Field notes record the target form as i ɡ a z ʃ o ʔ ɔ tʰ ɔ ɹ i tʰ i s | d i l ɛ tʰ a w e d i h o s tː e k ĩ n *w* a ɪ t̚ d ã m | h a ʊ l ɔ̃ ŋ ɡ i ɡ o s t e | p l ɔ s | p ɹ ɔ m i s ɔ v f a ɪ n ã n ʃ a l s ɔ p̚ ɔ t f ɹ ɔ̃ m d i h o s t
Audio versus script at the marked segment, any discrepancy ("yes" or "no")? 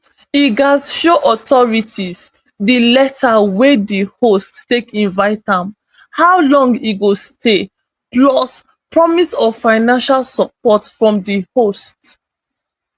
yes